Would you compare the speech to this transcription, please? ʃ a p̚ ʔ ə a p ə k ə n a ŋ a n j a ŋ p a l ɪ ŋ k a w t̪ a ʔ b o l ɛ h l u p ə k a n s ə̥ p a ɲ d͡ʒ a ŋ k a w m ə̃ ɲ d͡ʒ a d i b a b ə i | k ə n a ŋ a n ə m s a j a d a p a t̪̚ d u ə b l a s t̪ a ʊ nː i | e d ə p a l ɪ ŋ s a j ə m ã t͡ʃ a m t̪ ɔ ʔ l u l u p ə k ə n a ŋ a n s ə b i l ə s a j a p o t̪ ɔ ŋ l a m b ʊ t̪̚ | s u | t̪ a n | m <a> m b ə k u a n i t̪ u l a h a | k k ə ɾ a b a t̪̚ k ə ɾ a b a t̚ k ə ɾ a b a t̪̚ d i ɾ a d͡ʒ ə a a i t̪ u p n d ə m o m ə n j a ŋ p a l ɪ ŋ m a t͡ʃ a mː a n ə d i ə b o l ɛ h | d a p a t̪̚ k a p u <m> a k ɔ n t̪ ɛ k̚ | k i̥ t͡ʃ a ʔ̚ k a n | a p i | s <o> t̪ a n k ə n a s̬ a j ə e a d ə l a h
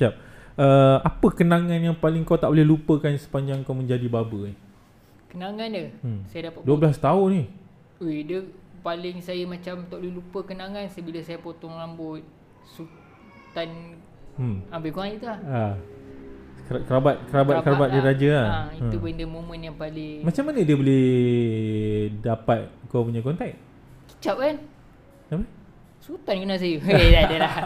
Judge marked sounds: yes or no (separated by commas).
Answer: yes, no, no